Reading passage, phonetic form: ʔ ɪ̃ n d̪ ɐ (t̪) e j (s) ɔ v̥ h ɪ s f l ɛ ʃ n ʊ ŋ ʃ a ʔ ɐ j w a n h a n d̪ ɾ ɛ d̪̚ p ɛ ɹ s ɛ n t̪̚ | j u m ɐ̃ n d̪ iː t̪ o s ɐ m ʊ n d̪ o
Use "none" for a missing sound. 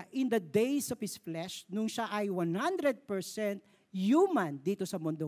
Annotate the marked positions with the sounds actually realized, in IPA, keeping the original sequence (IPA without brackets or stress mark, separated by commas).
d̪, s